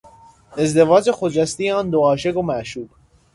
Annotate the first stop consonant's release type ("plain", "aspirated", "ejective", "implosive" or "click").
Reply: plain